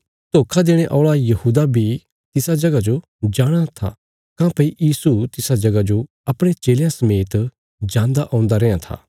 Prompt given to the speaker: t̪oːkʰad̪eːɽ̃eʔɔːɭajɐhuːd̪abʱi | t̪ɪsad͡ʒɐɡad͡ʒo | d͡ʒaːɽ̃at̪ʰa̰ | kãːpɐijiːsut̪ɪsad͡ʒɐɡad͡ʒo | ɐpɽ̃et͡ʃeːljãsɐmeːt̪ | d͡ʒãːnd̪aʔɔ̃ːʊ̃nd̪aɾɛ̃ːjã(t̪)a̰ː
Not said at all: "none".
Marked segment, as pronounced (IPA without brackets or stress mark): t̪ʰ